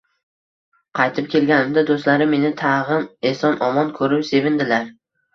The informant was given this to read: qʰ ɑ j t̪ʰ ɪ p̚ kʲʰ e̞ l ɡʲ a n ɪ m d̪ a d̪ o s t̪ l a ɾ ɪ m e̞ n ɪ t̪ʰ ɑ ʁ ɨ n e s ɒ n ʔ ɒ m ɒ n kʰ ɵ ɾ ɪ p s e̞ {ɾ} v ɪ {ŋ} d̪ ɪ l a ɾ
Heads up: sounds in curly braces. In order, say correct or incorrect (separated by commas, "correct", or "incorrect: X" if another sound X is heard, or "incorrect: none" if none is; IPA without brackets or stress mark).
incorrect: none, incorrect: n